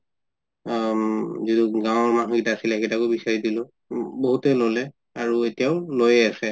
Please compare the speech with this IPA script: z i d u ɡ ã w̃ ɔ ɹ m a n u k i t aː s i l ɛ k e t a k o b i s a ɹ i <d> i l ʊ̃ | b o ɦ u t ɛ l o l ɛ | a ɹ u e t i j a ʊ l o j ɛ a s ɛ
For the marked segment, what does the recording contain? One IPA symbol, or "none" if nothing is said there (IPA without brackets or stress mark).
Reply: d